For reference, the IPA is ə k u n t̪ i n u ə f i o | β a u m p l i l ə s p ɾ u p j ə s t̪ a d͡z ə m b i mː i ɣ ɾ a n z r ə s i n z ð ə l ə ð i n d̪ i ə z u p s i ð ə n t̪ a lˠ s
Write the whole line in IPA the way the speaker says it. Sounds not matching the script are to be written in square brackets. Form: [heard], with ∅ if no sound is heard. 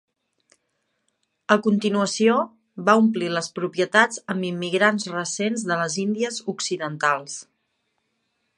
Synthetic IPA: ə k u n t̪ i n u ə [s] i o | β a u m p l i l ə s p ɾ u p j ə [∅] t̪ a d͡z ə m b i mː i ɣ ɾ a n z r ə s [e] n z ð ə l ə [z] i n d̪ i ə z u [k] s i ð ə n t̪ a lˠ s